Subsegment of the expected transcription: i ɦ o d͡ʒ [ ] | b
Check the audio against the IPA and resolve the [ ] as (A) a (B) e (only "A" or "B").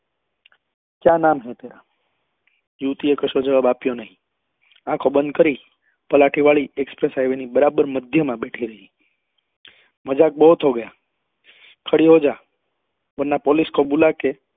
A